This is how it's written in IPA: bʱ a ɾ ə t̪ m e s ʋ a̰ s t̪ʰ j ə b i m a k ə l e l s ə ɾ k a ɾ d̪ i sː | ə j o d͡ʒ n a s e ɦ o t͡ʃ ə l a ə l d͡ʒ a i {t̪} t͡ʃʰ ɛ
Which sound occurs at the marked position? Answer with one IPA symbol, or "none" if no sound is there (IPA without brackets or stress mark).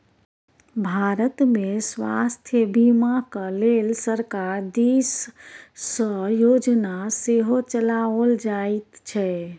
t̪